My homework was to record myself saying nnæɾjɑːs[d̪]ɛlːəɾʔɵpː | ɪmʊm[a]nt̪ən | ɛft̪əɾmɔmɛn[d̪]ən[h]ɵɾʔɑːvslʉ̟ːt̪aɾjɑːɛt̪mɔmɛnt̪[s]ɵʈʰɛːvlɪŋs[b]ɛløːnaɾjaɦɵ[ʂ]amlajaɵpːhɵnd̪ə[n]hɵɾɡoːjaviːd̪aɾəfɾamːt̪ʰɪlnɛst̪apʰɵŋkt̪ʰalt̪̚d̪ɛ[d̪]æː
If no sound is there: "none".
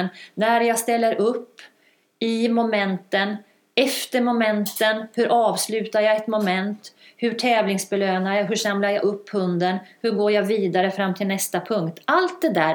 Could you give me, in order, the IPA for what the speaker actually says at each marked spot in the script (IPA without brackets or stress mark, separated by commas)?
t̪, ɛ, t̪, h, h, b, ʂ, n, d̪